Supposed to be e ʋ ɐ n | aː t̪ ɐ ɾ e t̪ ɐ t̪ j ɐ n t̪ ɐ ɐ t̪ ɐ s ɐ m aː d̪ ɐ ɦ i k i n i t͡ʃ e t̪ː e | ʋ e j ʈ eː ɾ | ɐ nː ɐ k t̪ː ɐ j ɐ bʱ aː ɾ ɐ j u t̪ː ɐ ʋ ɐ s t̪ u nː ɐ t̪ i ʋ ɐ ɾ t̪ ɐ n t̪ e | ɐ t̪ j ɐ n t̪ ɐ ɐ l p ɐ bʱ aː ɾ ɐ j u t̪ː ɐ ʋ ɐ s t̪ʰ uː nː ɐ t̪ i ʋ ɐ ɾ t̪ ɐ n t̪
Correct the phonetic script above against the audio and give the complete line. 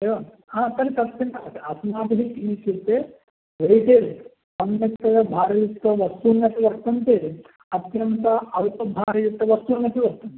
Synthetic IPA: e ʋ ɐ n | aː t̪ ɐ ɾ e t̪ ɐ t̪ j ɐ n t̪ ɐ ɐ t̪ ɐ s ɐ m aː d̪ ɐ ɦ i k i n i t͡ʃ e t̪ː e | ʋ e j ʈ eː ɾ | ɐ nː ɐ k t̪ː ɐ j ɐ bʱ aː ɾ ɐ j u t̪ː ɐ ʋ ɐ s t̪ u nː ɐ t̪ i ʋ ɐ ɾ t̪ ɐ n t̪ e | ɐ t̪ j ɐ n t̪ ɐ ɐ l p ɐ bʱ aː ɾ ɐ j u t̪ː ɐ ʋ ɐ s t̪ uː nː ɐ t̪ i ʋ ɐ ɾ t̪ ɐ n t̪

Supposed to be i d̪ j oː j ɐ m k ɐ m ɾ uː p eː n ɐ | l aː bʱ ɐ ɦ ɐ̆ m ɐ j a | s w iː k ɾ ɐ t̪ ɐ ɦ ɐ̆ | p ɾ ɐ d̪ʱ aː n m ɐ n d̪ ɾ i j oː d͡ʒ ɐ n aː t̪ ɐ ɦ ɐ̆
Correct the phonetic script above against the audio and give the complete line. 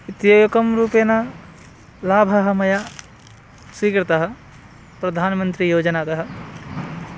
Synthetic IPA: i t̪ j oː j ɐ k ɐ m ɾ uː p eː n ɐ | l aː bʱ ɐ ɦ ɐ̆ m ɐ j a | s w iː k ɾ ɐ t̪ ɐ ɦ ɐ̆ | p ɾ ɐ d̪ʱ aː n m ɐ n t̪ ɾ i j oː d͡ʒ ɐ n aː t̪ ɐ ɦ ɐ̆

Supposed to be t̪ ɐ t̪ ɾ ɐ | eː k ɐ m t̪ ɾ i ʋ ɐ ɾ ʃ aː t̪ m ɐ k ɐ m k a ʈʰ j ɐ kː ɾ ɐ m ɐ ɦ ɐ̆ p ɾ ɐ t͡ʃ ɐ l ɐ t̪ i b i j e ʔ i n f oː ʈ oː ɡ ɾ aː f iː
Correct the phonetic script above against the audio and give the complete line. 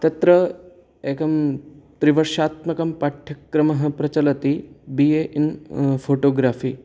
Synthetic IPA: t̪ ɐ t̪ ɾ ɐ | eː k ɐ m t̪ ɾ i ʋ ɐ ɾ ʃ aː t̪ m ɐ k ɐ m p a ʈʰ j ɐ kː ɾ ɐ m ɐ ɦ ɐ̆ p ɾ ɐ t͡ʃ ɐ l ɐ t̪ i b i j e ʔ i n f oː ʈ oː ɡ ɾ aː f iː

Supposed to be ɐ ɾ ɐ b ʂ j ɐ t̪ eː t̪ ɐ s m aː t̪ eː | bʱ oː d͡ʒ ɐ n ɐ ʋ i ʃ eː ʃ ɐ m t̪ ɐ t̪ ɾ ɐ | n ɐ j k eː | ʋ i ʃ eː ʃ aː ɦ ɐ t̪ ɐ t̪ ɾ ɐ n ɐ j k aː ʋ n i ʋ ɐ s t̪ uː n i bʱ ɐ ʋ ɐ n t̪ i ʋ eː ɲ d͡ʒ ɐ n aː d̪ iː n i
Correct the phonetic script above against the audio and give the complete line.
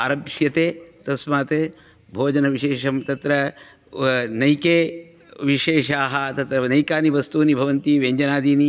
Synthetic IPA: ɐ ɾ ɐ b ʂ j ɐ t̪ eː t̪ ɐ s m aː t̪ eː | bʱ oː d͡ʒ ɐ n ɐ ʋ i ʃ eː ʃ ɐ m t̪ ɐ t̪ ɾ ɐ | n ɐ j k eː | ʋ i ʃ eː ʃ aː ɦ ɐ t̪ ɐ t̪ ɾ ɐ n ɐ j k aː n i ʋ ɐ s t̪ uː n i bʱ ɐ ʋ ɐ n t̪ i ʋ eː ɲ d͡ʒ ɐ n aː d̪ iː n i

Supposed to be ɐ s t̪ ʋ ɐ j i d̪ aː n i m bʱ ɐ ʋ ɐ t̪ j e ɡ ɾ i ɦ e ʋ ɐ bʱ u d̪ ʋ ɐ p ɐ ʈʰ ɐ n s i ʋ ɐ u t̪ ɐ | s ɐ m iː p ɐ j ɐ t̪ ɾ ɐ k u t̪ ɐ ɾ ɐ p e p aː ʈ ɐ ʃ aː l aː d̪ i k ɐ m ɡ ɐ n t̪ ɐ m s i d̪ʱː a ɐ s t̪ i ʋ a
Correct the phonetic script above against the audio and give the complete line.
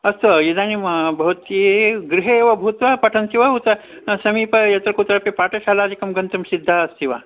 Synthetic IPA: ɐ s t̪ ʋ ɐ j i d̪ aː n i m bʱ ɐ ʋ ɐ t̪ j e ɡ ɾ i ɦ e ʋ ɐ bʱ u t̪ ʋ ɐ p ɐ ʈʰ ɐ n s i ʋ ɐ u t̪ ɐ | s ɐ m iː p ɐ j ɐ t̪ ɾ ɐ k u t̪ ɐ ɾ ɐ p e p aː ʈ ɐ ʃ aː l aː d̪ i k ɐ m ɡ ɐ n t̪ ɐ m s i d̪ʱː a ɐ s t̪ i ʋ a

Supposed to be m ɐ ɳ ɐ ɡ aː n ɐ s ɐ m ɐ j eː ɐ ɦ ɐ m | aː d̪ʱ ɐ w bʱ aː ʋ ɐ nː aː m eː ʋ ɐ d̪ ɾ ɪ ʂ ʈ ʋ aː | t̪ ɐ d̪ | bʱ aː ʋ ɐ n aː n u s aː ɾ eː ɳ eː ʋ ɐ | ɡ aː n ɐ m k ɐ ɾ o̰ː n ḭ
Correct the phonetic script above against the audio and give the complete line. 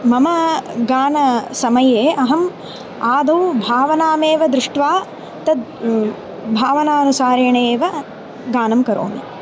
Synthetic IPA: m ɐ m ɐ ɡ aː n ɐ s ɐ m ɐ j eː ɐ ɦ ɐ m | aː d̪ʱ ɐ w bʱ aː ʋ ɐ n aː m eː ʋ ɐ d̪ ɾ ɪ ʂ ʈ ʋ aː | t̪ ɐ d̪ | bʱ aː ʋ ɐ n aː n u s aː ɾ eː ɳ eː ʋ ɐ | ɡ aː n ɐ m k ɐ ɾ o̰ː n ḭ

